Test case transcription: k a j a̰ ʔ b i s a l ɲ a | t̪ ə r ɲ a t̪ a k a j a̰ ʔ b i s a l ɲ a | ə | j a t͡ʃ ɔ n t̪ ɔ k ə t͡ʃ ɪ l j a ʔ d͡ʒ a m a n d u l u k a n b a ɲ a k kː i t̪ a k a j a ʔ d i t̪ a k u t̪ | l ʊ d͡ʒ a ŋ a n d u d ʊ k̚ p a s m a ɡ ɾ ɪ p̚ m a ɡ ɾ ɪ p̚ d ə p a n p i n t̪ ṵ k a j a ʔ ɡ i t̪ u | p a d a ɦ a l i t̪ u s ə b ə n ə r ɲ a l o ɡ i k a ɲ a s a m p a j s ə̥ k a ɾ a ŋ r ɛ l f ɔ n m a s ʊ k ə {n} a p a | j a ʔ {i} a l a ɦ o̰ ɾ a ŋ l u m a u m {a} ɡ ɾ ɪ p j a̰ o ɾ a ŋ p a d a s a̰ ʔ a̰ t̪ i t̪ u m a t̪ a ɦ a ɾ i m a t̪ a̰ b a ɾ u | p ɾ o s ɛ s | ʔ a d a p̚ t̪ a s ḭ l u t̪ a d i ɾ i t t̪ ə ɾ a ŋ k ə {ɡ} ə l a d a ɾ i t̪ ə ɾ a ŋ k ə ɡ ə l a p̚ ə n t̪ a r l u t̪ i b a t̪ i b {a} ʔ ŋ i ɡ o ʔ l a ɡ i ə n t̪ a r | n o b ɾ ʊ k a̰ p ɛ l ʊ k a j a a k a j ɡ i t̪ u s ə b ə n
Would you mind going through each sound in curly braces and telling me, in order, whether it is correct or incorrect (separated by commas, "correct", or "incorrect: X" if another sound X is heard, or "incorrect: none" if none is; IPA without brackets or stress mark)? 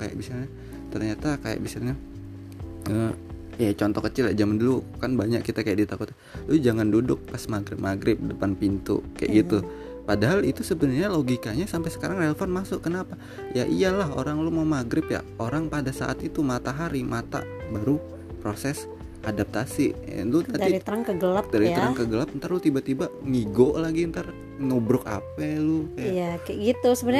correct, correct, correct, correct, correct